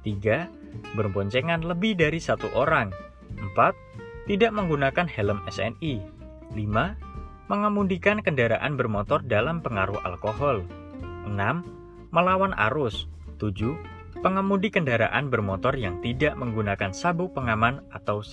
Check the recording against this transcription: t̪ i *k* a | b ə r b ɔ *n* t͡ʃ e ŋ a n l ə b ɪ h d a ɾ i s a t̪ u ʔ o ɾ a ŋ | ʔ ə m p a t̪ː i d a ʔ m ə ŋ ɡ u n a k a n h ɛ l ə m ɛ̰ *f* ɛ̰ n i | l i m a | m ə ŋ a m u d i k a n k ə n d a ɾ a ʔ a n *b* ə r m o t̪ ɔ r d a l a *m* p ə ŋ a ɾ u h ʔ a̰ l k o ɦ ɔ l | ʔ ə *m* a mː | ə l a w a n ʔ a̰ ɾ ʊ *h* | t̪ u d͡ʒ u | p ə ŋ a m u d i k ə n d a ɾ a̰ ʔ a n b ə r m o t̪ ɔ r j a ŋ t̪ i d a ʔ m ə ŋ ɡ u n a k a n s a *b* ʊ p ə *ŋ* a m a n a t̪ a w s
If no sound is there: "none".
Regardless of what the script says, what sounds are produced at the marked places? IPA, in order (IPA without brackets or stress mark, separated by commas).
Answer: ɡ, ɲ, s, b, m, n, s, b, ŋ